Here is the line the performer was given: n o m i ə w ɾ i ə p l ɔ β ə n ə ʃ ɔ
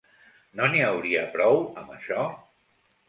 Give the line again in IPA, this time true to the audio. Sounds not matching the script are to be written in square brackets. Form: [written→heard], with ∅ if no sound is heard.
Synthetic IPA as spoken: n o [m→n] i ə w ɾ i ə p [l→ɾ] ɔ [β→w] ə [n→m] ə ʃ ɔ